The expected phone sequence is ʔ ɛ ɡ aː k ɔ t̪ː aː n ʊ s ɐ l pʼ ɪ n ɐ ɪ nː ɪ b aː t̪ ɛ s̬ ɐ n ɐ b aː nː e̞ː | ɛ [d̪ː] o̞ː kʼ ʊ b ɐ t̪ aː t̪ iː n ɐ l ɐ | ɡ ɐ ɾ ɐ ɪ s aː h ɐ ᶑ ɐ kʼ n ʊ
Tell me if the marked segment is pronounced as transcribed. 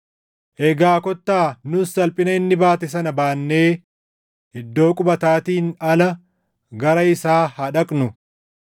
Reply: yes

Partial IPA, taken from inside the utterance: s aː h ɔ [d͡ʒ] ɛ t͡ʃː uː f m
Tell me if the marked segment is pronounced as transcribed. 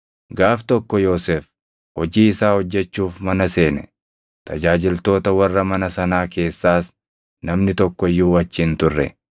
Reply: no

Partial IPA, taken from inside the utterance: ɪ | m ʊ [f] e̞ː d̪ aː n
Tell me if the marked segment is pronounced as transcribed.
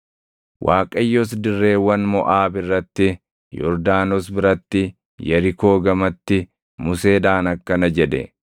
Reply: no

